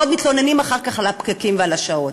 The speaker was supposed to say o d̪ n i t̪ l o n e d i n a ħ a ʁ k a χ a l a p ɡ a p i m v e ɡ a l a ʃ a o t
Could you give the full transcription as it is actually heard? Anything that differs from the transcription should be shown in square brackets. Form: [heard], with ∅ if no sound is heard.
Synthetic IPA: o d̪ [m] i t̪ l o n e [n] i [m] a [χ] a ʁ k a χ a l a p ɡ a [k] i m v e [∅] a l a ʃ a o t